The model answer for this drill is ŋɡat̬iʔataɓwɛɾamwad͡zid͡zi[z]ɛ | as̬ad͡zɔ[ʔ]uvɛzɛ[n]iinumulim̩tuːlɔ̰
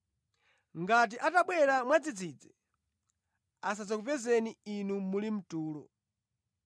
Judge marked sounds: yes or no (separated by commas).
no, no, yes